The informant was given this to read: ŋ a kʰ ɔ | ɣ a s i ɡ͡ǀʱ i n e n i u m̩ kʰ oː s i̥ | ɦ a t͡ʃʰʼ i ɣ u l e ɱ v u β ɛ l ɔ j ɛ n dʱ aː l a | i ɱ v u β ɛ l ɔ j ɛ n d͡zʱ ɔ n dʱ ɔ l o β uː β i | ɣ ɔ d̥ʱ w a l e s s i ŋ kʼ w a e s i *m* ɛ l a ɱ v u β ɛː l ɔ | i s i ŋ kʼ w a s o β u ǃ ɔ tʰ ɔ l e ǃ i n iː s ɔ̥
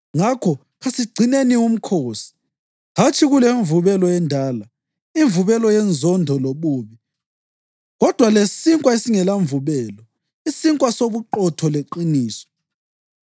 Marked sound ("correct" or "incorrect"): incorrect